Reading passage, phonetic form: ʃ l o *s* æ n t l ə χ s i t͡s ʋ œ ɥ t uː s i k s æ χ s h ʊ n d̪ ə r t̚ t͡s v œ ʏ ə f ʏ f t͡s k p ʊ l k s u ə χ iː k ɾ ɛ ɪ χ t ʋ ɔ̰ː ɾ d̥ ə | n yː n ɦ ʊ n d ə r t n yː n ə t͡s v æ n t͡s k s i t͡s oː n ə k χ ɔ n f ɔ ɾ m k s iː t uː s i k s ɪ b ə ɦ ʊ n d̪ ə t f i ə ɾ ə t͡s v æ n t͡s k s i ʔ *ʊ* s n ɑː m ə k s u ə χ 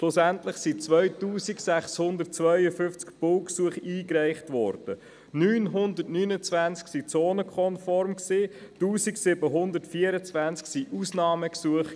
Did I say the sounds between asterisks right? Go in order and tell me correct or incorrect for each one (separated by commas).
correct, incorrect